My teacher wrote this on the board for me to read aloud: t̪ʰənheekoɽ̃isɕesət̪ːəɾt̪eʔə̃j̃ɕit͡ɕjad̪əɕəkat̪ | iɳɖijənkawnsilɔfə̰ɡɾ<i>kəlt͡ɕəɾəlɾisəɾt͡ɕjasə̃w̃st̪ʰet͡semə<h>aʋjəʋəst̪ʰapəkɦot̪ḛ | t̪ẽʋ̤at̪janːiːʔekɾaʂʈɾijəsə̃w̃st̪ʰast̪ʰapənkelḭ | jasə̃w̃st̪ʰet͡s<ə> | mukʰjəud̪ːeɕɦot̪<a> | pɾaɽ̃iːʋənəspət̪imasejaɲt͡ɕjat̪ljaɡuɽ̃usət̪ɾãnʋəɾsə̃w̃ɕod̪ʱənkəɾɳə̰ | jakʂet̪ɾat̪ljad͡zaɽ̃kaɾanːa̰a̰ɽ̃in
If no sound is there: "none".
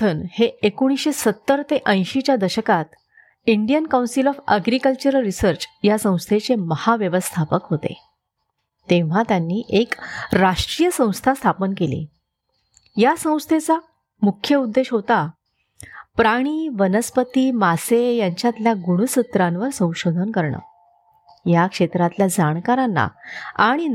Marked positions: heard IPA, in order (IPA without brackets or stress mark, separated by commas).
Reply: i, h, a, a